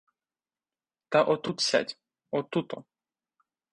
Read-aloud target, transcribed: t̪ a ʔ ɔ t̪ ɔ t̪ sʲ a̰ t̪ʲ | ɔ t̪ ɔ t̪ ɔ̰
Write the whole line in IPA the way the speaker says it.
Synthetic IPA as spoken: t̪ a ʔ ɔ t̪ u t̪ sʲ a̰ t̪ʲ | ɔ t̪ u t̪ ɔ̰